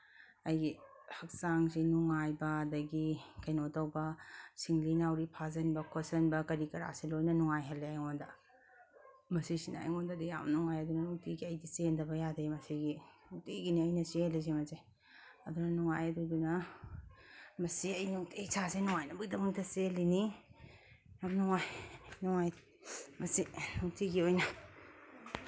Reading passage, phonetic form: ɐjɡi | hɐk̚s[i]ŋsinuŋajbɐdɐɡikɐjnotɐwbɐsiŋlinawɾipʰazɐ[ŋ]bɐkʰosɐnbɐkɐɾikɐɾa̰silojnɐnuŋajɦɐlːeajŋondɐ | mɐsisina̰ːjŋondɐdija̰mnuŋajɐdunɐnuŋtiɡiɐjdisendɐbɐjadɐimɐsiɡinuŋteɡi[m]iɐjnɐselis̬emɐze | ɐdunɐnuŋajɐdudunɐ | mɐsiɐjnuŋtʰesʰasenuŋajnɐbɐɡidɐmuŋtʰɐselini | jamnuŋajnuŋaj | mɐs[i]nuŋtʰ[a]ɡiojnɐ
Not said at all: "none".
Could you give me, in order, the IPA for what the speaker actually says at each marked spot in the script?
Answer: a, n, n, i, i

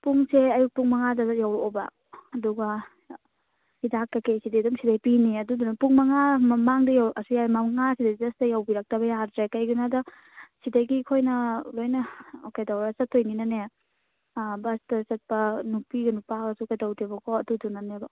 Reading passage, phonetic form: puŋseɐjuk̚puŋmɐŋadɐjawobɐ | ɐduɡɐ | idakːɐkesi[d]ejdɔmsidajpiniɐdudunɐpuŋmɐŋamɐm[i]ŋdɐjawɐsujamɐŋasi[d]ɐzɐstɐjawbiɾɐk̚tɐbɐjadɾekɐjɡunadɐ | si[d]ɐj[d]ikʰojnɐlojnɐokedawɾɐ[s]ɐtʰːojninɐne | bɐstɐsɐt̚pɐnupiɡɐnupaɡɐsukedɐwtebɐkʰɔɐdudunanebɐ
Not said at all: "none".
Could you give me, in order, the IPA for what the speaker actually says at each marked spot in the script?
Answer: d, a, d, d, ɡ, s

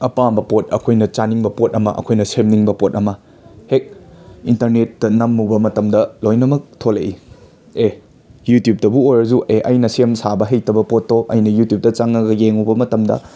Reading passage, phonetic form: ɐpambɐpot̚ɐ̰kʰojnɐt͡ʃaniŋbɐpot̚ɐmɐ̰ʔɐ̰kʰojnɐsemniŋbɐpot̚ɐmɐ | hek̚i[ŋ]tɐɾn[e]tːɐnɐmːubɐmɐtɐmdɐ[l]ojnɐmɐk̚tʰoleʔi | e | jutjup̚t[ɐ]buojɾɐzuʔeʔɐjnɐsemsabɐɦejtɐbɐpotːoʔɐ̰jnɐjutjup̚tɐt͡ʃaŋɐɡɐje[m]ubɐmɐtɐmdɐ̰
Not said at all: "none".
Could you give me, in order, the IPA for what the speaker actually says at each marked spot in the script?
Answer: n, e, l, ɐ, ŋ

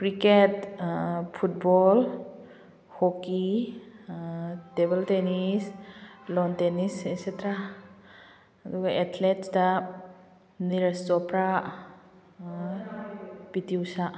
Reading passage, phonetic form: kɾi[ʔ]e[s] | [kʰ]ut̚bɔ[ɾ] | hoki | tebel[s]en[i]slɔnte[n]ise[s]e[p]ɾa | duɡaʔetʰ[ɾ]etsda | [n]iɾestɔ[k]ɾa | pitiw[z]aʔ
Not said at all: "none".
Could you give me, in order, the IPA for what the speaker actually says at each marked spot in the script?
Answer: k, t, pʰ, l, t, i, n, s, t, l, n, p, s

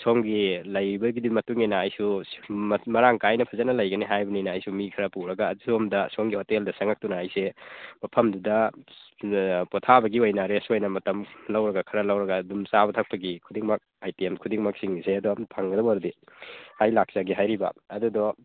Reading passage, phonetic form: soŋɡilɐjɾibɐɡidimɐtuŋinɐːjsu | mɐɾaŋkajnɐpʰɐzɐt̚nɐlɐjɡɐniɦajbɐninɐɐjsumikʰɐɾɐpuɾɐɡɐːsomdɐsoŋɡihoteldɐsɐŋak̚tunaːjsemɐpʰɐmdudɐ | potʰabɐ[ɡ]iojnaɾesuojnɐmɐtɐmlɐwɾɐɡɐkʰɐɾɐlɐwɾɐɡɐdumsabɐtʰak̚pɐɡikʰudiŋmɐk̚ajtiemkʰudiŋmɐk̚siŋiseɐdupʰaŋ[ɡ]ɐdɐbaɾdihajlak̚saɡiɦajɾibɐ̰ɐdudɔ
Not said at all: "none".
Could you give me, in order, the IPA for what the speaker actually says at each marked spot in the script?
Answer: ɡ, ɡ

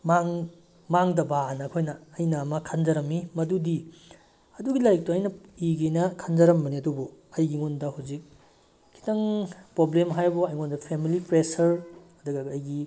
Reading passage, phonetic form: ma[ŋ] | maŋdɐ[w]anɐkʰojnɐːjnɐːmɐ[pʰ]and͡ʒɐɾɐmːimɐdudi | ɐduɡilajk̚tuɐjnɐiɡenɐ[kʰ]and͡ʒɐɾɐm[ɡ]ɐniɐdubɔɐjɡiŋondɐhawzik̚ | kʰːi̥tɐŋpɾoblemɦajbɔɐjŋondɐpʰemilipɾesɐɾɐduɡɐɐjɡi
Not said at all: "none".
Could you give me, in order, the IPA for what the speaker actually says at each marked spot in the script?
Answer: ŋ, b, kʰ, kʰ, b

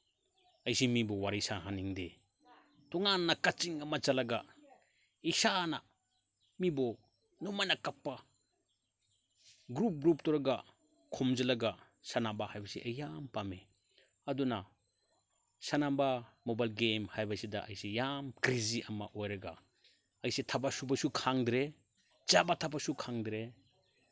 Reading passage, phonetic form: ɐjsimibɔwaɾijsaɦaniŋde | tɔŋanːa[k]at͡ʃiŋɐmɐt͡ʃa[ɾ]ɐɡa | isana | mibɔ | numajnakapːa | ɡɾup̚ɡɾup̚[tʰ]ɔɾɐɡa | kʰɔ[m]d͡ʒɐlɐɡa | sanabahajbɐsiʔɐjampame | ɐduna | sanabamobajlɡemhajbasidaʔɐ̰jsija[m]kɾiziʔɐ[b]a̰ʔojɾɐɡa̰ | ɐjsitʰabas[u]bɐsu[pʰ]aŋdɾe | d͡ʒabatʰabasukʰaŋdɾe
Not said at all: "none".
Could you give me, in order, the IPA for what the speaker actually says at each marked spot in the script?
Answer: k, l, t, m, m, m, u, kʰ

